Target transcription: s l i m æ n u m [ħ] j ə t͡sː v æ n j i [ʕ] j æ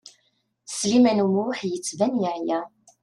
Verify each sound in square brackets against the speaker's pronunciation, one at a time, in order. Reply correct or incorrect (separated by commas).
correct, correct